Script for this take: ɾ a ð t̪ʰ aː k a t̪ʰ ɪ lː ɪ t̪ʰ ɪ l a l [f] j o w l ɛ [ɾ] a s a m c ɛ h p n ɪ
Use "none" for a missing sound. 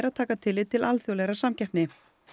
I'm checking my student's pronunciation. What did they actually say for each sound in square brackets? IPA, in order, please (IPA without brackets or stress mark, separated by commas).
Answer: θ, ɾ